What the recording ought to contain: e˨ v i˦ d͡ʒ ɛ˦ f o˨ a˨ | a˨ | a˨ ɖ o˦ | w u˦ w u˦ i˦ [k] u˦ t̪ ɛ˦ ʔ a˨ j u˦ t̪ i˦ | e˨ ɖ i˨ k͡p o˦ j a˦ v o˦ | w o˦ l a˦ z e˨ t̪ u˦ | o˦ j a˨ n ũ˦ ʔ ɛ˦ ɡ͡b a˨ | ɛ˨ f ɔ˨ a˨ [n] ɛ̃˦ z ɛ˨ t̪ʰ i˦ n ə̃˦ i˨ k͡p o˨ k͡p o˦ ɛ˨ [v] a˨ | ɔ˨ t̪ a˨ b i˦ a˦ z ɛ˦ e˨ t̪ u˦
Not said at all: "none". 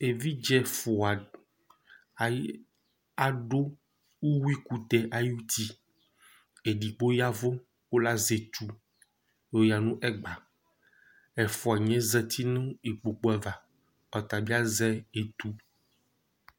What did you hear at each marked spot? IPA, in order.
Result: k, ɲ, v

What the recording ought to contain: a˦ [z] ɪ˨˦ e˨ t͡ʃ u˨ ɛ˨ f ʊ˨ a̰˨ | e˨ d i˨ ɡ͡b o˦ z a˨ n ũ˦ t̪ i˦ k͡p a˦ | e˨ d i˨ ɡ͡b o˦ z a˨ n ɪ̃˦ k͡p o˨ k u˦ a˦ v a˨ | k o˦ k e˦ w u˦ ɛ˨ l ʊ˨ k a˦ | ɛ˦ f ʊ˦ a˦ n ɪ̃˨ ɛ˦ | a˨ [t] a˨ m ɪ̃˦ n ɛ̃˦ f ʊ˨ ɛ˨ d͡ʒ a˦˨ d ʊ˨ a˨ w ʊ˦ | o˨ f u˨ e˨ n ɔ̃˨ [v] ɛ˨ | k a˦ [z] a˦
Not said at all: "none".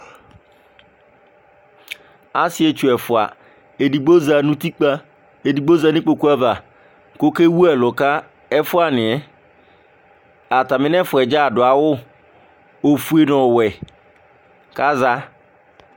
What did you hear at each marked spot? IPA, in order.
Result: s, t, w, z

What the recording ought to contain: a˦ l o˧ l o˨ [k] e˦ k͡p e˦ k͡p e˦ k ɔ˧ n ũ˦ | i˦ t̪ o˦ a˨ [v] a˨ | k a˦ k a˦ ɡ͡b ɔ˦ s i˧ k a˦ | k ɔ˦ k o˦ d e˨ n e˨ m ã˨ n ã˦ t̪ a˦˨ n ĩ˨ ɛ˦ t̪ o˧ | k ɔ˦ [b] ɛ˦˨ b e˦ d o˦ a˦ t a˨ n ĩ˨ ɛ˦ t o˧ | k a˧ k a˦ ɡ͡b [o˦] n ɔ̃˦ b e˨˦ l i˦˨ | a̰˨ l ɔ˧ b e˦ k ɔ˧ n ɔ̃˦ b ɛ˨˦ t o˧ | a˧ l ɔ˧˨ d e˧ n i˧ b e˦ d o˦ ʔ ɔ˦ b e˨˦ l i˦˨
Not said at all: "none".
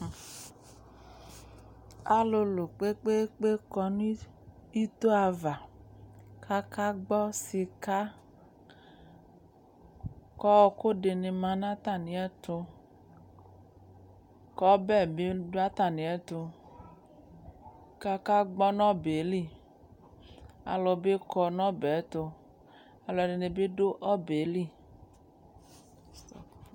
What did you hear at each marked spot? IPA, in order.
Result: k͡p, v, b, ɔ˦

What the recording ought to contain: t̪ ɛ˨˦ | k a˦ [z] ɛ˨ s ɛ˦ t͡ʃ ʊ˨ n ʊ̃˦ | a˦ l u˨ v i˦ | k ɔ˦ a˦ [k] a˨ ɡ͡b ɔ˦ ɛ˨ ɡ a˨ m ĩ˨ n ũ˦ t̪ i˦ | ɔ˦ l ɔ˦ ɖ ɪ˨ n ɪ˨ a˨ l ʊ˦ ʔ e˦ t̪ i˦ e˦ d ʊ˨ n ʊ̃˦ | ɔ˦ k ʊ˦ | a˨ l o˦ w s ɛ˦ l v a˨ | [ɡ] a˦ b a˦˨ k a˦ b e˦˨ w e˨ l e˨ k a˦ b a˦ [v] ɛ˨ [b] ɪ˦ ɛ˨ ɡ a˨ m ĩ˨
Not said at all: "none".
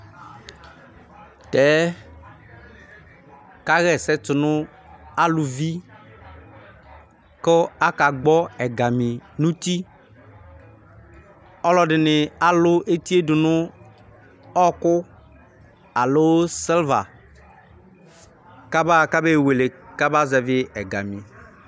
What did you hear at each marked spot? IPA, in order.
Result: ɣ, k, k, z, v

